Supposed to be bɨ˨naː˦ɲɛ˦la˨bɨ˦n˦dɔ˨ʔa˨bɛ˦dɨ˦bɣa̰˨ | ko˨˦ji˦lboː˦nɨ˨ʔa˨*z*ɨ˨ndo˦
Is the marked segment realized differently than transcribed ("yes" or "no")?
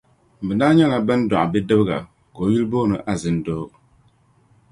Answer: no